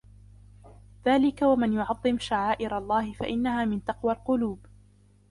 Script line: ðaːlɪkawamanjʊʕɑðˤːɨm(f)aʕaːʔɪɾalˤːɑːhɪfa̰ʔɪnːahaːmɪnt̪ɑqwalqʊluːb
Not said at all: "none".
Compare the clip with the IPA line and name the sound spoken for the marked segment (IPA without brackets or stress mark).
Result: ʃ